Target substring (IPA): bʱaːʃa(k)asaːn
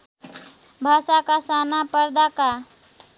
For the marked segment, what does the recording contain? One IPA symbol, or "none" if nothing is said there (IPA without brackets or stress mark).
k